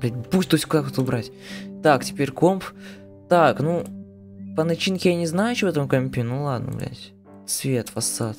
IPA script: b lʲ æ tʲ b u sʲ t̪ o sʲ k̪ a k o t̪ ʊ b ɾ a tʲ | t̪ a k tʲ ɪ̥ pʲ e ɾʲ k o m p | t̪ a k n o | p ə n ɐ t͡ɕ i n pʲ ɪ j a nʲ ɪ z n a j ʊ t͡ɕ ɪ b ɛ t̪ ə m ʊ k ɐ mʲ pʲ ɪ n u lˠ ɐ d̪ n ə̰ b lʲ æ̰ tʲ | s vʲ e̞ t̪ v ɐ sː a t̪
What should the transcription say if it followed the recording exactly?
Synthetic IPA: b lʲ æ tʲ b u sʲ t̪ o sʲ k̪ a k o t̪ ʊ b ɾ a tʲ | t̪ a k tʲ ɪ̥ pʲ e ɾʲ k o m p | t̪ a k n u | p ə n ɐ t͡ɕ i n kʲ ɪ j a nʲ ɪ z n a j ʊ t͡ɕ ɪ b ɛ t̪ ə m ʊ k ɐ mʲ pʲ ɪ n u lˠ a d̪ n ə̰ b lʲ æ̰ tʲ | s vʲ e̞ t̪ v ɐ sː a t̪